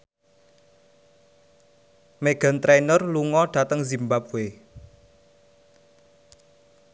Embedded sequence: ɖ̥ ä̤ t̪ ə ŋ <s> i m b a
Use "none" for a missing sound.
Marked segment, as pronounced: z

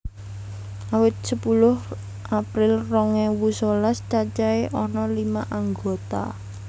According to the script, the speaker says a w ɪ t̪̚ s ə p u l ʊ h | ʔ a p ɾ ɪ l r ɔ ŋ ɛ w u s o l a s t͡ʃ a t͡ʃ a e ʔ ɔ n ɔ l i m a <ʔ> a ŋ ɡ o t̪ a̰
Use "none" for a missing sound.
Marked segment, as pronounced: ʔ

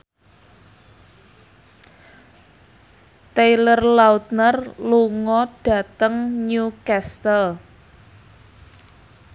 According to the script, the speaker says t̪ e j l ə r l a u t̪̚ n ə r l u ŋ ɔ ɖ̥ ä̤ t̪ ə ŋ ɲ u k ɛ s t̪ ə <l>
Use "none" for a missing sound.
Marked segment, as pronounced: l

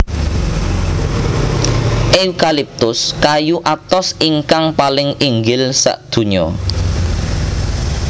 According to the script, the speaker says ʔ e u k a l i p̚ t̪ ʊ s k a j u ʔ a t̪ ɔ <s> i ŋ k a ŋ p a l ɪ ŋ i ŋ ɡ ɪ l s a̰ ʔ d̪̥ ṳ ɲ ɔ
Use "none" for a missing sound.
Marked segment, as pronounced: s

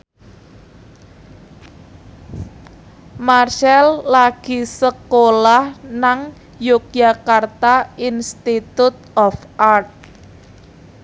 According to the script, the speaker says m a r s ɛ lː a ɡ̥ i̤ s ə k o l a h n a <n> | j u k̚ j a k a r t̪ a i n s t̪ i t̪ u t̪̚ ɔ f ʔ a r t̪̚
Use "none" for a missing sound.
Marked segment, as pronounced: ŋ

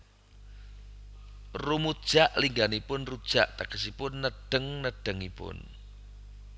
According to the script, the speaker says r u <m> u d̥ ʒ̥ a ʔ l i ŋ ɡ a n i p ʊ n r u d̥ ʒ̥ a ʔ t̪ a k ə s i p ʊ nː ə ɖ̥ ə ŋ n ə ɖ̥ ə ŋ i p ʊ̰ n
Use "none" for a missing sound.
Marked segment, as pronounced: m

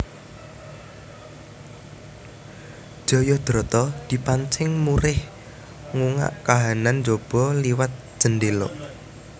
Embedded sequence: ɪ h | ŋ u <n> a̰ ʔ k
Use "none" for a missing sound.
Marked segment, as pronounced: ŋ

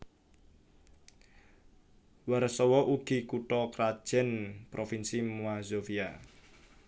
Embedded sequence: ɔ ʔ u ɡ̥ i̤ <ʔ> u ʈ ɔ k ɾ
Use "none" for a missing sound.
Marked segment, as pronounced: k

